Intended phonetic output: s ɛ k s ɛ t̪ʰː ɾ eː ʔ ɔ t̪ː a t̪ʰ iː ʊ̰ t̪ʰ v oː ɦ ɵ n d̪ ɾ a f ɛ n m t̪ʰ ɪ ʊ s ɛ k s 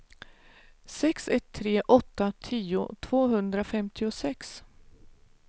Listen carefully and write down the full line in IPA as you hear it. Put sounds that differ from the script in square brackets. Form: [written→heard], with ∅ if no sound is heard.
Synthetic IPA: s ɛ k s ɛ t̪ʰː ɾ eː ʔ ɔ t̪ː a t̪ʰ iː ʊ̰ t̪ʰ v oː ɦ ɵ n d̪ ɾ a f ɛ [n→∅] m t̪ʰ ɪ ʊ s ɛ k s